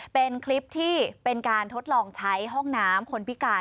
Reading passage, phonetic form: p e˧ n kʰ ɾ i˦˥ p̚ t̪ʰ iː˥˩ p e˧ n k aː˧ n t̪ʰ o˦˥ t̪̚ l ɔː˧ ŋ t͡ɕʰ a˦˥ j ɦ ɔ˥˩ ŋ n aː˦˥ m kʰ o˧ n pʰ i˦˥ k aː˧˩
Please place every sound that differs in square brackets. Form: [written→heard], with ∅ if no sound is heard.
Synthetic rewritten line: p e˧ n kʰ [ɾ→l] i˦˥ p̚ t̪ʰ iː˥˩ p e˧ n k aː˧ n t̪ʰ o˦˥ t̪̚ l ɔː˧ ŋ t͡ɕʰ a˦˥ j ɦ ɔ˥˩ ŋ n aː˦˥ m kʰ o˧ n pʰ i˦˥ k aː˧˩